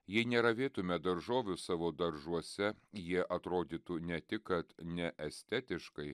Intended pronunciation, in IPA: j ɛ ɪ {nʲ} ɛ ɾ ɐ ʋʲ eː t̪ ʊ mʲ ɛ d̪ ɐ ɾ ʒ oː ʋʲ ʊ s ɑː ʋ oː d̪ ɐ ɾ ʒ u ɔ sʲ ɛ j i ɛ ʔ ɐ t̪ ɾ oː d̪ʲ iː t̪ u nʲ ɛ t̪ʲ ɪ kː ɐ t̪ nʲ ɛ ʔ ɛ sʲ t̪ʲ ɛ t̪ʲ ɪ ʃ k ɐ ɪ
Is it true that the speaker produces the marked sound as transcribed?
yes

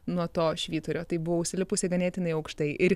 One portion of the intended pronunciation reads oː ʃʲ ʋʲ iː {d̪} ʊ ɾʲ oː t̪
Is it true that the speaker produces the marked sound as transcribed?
no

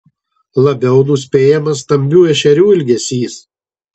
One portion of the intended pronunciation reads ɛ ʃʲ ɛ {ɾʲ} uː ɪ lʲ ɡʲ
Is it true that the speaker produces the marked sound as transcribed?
yes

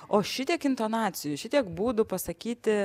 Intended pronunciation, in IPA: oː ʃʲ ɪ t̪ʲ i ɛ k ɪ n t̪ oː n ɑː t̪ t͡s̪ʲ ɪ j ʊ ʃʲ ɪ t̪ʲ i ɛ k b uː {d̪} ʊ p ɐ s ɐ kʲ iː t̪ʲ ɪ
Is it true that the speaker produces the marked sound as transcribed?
yes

